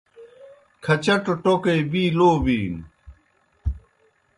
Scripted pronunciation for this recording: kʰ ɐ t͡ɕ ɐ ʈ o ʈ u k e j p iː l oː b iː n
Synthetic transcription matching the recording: kʰ ɐ t͡ɕ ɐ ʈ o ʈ o k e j b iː l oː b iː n

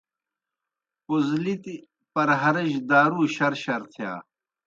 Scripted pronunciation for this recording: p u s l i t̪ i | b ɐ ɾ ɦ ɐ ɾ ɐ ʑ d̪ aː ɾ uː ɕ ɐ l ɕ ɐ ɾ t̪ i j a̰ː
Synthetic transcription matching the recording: p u z l i t̪ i | p ɐ ɾ ɦ ɐ ɾ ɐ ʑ d̪ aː ɾ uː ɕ ɐ ɾ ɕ ɐ ɾ t̪ʰ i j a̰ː

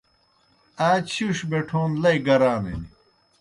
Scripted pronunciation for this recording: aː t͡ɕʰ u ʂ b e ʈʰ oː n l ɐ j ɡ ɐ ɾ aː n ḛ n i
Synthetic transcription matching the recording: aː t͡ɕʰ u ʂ b e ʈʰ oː n l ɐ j ɡ ɐ ɾ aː n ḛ n i

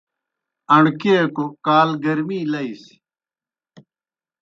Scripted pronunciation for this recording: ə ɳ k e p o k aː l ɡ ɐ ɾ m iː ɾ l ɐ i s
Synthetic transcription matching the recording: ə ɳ k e k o k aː l ɡ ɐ ɾ m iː l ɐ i s

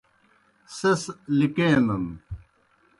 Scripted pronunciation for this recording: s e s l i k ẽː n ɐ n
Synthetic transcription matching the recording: s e s l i k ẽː n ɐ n

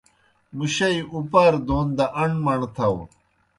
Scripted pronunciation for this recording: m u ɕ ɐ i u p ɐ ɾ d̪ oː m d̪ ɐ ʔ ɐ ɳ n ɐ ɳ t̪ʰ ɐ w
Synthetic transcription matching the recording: m u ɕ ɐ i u p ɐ ɾ d̪ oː n d̪ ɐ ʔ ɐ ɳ m ɐ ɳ t̪ʰ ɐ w

